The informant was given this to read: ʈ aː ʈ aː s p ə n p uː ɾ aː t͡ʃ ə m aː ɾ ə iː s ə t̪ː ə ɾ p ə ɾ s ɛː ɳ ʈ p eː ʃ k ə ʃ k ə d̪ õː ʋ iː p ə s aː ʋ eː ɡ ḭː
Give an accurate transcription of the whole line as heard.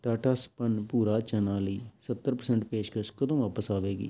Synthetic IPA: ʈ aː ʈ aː s p ə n p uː ɾ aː t͡ʃ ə n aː l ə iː s ə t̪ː ə ɾ p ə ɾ s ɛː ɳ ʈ p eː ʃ k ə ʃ k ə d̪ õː ʋ aː p ə s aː ʋ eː ɡ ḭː